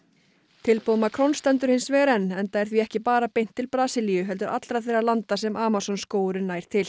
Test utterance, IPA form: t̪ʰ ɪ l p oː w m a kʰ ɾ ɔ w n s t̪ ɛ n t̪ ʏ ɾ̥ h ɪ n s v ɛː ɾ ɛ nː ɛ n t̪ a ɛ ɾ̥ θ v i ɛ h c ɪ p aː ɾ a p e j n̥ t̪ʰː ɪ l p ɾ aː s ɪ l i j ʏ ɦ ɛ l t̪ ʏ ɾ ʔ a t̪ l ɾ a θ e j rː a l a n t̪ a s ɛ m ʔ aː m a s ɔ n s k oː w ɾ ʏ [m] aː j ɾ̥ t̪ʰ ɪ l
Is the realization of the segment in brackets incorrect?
yes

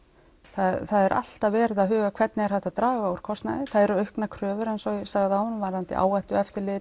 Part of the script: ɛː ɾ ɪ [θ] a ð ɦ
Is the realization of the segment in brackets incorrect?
yes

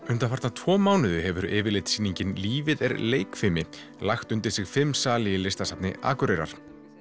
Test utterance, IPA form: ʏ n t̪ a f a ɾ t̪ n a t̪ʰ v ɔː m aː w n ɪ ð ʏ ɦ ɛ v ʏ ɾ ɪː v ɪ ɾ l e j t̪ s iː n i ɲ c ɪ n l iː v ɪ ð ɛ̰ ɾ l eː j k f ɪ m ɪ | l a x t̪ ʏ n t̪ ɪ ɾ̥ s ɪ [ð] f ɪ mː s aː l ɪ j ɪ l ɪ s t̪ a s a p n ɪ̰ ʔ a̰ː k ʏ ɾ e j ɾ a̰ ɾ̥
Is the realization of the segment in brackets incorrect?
yes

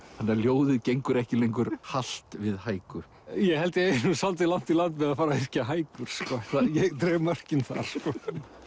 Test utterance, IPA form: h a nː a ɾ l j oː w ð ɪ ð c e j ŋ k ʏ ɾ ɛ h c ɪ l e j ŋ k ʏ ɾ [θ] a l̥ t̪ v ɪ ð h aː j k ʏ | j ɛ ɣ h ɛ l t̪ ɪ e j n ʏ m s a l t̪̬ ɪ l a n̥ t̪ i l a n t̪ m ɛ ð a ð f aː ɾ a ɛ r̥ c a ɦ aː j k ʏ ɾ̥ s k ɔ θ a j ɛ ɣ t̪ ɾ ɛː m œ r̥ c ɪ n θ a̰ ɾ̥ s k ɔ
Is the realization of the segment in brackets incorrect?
yes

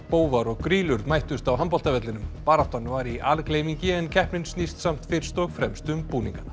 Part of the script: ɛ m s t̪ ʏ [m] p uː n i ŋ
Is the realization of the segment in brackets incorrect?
no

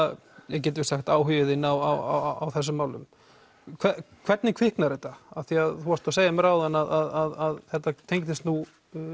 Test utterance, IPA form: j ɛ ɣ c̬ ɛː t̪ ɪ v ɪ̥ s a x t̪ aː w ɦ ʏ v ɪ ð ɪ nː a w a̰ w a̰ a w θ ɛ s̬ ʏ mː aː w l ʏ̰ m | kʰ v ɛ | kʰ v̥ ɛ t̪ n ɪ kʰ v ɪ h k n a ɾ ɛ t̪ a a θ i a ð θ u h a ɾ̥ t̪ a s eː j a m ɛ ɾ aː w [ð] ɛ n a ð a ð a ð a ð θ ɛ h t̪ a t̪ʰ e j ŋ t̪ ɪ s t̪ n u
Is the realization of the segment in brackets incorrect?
no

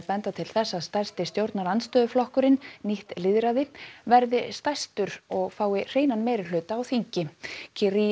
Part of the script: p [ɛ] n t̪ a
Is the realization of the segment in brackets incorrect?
no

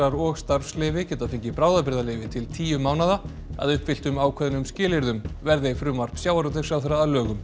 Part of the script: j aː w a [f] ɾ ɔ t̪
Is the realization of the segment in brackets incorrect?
yes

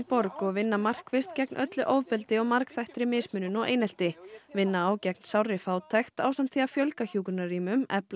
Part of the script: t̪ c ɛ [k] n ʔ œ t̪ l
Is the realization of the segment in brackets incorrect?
no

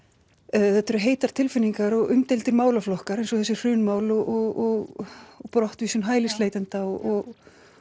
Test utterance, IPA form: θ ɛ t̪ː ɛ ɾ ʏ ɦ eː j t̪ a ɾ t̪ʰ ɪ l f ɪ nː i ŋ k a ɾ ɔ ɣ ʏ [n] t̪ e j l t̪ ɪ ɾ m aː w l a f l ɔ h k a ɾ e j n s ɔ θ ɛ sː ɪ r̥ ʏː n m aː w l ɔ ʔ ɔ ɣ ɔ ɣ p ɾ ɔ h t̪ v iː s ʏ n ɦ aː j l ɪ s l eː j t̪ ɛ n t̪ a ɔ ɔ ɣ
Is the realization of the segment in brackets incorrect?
yes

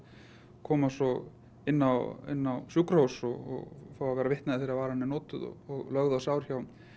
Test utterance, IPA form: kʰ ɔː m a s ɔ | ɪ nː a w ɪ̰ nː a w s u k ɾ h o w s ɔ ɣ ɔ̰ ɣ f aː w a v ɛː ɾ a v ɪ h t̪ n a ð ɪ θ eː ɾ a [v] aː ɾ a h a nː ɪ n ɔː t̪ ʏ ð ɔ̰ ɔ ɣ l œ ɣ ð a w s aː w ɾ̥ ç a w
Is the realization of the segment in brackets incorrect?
no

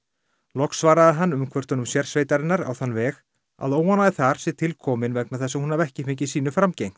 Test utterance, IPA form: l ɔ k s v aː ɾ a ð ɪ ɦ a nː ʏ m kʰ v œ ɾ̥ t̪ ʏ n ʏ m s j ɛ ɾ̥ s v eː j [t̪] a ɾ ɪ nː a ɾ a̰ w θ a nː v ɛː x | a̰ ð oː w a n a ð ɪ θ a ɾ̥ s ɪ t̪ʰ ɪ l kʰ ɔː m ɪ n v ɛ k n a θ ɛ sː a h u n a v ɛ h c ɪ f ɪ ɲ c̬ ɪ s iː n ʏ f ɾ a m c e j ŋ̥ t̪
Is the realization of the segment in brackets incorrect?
no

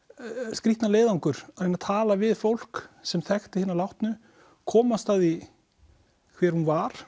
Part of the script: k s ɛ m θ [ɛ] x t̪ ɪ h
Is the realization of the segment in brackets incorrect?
no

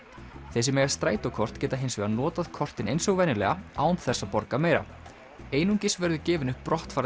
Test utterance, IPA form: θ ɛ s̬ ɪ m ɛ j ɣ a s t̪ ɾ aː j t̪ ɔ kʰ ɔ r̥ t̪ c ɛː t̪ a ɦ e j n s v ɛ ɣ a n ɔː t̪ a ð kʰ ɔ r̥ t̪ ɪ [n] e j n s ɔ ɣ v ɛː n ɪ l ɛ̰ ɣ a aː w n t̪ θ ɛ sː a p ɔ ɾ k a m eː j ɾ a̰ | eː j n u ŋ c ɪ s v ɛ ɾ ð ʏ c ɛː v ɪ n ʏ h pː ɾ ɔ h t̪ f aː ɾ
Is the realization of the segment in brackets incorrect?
no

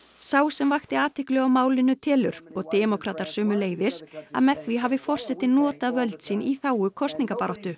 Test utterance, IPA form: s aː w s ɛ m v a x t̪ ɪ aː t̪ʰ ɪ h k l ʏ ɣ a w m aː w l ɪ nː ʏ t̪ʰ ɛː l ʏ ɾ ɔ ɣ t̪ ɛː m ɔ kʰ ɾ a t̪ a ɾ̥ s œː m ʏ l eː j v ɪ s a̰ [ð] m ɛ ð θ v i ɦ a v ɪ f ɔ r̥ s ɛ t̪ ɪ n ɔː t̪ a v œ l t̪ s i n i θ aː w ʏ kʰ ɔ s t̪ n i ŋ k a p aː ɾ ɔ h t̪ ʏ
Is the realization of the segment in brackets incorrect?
no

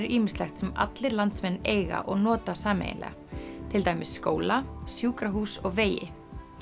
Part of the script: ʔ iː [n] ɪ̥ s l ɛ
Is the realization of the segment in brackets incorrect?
yes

